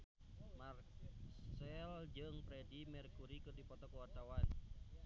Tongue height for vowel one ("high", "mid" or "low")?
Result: low